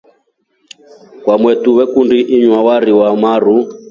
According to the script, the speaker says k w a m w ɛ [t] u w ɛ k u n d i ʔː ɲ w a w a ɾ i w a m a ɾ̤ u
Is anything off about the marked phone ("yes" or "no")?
no